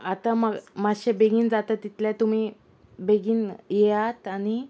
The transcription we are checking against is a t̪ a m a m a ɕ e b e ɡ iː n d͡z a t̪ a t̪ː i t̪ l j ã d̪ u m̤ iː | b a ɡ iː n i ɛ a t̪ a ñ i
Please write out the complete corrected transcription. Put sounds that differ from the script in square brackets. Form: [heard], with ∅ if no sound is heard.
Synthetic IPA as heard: a t̪ a m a m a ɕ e b e ɡ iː n d͡z a t̪ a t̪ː i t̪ l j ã [t̪] u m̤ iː | b [e] ɡ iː n [j] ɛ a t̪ a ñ i